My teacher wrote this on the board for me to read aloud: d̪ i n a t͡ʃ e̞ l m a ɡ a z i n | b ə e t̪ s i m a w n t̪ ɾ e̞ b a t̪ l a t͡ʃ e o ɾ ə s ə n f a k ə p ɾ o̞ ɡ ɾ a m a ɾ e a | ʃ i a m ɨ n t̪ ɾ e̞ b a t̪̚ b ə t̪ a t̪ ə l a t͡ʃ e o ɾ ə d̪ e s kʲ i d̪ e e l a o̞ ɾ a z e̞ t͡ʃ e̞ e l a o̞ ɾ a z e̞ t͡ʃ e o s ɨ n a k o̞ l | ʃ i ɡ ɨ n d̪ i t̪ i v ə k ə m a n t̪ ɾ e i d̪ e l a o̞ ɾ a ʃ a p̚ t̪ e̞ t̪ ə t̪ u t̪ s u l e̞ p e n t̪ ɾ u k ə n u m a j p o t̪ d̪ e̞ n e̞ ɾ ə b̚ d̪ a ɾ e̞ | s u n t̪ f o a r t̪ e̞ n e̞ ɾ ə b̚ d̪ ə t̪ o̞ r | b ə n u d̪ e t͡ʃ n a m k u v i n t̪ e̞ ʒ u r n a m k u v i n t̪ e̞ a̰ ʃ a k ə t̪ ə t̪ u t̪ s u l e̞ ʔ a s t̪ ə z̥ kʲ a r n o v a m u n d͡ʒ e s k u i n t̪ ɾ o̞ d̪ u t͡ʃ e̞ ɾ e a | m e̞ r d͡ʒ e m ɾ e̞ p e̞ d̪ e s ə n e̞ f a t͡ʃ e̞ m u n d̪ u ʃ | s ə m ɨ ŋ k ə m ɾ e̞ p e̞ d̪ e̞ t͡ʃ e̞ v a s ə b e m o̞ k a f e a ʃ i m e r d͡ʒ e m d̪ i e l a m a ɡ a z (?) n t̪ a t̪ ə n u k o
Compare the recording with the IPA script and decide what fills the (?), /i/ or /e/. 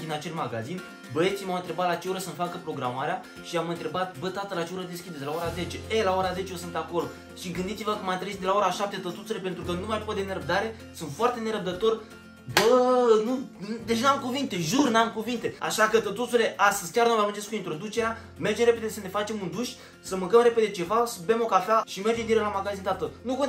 i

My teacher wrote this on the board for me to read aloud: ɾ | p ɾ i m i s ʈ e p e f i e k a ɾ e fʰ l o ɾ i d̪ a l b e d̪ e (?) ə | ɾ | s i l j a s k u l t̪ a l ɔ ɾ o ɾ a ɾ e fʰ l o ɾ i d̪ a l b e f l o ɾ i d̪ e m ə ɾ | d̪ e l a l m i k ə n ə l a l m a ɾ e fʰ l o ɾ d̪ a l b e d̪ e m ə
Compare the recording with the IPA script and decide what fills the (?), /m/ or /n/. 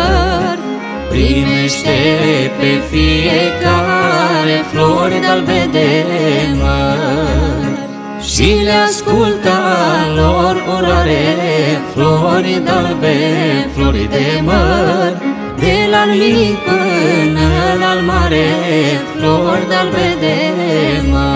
m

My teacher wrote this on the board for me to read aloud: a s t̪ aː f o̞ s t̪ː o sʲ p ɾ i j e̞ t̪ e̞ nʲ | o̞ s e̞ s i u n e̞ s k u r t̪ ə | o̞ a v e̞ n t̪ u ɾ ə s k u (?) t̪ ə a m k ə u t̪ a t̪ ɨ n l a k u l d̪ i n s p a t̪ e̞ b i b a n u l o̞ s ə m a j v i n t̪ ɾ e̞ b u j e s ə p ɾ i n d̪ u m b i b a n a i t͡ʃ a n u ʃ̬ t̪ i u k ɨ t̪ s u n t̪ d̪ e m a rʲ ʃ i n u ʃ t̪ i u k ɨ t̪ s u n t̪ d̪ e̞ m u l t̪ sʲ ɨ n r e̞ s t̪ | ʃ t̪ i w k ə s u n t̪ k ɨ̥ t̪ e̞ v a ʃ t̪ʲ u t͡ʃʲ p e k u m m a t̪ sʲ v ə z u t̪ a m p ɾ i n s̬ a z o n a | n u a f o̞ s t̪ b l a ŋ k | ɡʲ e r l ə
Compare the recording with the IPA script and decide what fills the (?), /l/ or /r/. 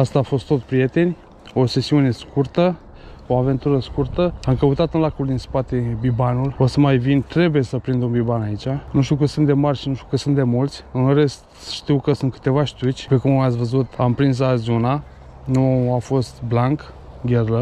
r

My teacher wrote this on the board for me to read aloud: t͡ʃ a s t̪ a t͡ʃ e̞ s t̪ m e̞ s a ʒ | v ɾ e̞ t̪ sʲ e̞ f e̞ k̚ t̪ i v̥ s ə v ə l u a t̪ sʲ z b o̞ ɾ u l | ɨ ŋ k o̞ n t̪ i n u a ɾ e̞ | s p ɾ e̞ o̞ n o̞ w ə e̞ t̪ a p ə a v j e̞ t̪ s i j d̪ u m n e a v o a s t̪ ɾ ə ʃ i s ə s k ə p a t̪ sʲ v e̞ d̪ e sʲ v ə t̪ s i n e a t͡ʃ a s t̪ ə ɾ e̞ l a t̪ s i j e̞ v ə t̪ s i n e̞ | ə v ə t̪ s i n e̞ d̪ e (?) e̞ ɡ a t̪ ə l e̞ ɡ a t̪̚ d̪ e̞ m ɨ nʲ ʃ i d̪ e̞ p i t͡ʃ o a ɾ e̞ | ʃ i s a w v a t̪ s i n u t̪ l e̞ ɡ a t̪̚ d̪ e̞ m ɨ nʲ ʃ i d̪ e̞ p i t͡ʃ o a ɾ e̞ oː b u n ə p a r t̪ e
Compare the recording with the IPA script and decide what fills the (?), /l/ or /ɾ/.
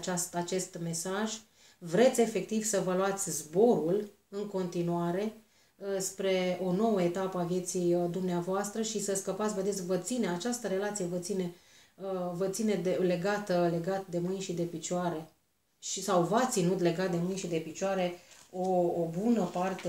l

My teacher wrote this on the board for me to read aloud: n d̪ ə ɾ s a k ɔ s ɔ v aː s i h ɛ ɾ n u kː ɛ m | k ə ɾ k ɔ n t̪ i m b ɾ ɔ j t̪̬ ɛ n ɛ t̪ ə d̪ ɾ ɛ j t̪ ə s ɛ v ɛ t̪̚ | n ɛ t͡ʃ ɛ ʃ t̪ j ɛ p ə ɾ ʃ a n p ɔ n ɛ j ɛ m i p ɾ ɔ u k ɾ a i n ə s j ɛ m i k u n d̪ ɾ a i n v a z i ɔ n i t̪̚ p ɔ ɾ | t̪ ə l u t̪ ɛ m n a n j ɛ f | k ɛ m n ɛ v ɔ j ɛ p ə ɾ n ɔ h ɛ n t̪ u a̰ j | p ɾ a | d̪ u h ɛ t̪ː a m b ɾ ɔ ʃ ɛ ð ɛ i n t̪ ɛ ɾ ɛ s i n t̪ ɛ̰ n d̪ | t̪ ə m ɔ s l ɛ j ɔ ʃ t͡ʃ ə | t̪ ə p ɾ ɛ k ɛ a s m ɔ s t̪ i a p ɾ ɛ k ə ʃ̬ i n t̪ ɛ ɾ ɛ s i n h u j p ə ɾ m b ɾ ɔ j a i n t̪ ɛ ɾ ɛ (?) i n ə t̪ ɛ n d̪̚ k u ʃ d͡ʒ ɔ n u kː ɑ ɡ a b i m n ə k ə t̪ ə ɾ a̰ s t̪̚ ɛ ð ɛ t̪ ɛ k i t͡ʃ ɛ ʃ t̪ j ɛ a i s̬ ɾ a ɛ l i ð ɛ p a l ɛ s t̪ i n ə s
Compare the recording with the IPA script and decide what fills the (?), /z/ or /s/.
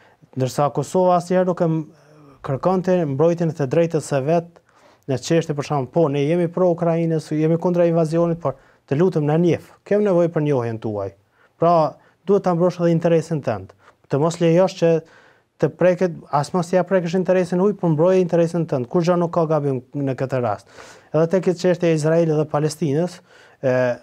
s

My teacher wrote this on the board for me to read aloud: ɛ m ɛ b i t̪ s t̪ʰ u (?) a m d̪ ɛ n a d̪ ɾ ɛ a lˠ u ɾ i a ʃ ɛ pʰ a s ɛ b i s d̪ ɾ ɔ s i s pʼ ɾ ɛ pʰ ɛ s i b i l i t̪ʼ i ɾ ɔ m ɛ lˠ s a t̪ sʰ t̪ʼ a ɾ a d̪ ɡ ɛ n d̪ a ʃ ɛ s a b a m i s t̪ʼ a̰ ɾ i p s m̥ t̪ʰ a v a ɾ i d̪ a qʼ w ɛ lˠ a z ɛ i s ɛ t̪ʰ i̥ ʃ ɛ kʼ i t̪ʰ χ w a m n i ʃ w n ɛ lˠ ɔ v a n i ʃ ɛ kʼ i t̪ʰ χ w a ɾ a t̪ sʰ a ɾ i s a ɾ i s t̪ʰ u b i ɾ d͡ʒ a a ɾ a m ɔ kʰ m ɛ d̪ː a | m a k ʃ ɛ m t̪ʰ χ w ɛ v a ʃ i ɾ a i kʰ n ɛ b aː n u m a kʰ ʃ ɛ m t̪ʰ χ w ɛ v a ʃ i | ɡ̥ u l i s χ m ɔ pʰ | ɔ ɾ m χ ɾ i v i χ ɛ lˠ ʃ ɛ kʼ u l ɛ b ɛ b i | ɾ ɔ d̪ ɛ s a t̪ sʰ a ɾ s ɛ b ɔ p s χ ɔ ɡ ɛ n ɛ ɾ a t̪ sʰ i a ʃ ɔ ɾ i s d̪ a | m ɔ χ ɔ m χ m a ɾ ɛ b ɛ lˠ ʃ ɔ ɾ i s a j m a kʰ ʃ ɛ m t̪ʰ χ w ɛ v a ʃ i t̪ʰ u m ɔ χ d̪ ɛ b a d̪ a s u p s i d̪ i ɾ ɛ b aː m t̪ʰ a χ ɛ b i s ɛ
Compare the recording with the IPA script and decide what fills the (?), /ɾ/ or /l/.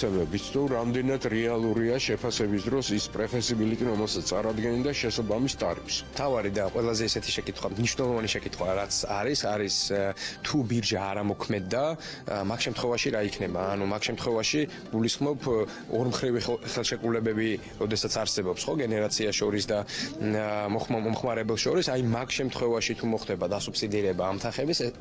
ɾ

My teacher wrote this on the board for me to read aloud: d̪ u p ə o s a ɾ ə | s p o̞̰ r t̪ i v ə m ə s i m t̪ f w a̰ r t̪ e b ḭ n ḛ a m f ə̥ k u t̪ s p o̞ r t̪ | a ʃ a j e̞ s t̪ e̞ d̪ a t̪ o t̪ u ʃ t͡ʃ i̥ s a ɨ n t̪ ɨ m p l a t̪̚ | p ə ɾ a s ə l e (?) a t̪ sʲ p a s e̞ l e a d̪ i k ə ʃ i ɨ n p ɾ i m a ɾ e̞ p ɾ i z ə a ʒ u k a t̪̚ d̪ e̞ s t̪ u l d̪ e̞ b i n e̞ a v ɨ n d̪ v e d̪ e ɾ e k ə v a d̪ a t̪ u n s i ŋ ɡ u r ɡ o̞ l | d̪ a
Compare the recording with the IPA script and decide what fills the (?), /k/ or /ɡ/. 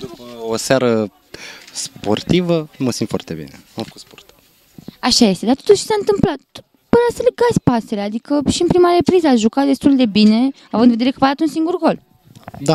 ɡ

